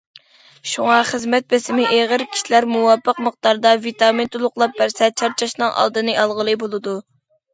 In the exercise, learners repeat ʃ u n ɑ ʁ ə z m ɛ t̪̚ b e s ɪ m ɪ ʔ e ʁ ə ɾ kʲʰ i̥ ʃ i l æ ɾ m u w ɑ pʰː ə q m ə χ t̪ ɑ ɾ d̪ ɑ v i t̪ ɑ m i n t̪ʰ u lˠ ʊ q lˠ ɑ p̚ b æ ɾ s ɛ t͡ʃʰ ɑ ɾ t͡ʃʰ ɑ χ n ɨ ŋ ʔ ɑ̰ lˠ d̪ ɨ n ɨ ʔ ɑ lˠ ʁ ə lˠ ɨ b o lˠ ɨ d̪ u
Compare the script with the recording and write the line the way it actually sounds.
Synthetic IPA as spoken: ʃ u ŋ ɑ χ ə z m ɛ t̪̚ b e s ɪ m ɪ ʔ e ʁ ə ɾ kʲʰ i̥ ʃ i l æ ɾ m u w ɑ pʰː ə q m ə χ t̪ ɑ ɾ d̪ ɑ v i t̪ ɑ m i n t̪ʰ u lˠ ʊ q lˠ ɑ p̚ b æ ɾ s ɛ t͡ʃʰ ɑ ɾ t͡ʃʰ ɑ ʃ n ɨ ŋ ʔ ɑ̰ lˠ d̪ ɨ n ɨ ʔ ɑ lˠ ʁ ə lˠ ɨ b o lˠ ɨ d̪ u